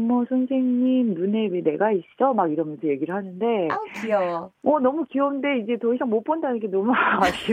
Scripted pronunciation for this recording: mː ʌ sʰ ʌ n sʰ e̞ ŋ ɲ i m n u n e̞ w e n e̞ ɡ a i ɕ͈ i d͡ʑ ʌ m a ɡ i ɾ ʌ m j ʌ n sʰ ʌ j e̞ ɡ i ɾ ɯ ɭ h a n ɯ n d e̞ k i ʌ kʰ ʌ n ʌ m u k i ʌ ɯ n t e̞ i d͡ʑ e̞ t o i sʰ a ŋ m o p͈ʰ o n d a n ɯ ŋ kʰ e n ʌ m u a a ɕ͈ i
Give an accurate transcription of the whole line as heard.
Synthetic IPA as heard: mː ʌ sʰ ʌ n sʰ e̞ ŋ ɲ i m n u n e̞ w e n e̞ ɡ a i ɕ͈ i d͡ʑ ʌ m a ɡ i ɾ ʌ m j ʌ n sʰ ʌ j e̞ ɡ i ɾ ɯ ɭ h a n ɯ n d e̞ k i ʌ ʌ n ʌ m u k i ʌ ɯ n d e̞ i d͡ʑ e̞ t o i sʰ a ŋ m o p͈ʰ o n d a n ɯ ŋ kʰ e n ʌ m u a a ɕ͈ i